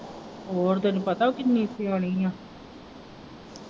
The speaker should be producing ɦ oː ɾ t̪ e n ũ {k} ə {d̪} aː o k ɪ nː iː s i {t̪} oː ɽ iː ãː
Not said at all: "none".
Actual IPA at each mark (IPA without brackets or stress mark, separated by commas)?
p, t̪, none